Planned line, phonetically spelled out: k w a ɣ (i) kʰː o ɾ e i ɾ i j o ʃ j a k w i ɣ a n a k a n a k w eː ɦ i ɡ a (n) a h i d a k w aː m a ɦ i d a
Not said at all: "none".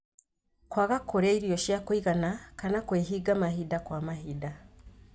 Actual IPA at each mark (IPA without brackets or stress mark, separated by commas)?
a, m